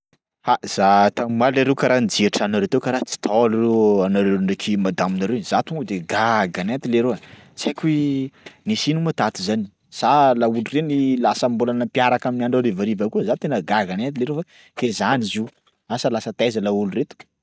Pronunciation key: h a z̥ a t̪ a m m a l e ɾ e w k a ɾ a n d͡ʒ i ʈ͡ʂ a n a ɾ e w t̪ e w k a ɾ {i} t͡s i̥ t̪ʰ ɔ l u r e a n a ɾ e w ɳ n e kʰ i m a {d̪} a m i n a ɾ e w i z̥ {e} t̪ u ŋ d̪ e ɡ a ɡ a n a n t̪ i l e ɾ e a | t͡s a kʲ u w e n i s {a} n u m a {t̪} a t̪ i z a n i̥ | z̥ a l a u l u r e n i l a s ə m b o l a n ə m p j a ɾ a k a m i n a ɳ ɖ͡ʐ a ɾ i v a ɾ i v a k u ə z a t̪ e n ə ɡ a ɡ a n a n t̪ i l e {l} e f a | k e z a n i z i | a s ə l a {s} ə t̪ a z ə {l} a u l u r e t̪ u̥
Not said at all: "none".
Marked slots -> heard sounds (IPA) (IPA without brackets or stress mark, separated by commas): a, d̪, a, i, t̪, ɾ, s, l